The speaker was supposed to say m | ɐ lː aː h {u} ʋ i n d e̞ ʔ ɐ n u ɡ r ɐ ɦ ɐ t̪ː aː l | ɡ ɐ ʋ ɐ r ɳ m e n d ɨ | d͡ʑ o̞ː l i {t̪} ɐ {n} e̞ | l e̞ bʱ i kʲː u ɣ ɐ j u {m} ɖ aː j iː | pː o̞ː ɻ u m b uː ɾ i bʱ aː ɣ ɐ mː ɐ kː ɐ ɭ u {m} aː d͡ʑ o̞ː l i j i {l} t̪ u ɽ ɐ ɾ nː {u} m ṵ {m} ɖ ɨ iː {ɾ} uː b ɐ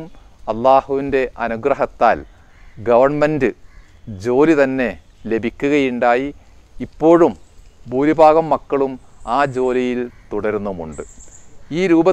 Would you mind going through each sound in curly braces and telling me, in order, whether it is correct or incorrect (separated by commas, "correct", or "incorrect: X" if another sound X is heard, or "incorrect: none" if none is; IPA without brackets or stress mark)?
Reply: correct, correct, incorrect: nː, incorrect: ɳ, correct, correct, correct, incorrect: ɳ, correct